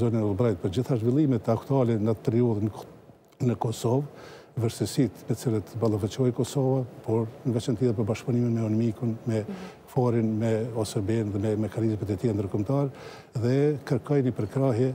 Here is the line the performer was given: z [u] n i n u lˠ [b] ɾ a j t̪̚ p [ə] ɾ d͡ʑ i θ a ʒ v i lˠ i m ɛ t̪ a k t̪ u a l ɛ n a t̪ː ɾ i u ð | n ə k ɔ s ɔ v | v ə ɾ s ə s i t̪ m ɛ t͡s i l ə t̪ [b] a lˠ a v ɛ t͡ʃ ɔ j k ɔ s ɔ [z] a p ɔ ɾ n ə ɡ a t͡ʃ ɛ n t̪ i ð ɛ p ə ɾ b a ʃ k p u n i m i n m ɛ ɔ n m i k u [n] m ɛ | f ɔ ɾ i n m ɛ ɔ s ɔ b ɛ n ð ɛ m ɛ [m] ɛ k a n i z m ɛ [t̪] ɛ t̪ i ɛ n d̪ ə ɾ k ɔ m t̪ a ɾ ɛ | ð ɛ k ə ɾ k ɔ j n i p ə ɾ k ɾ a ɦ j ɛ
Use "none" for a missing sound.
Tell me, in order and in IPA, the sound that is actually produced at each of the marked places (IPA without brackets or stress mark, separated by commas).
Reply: ɔ, b, ə, b, v, n, m, t̪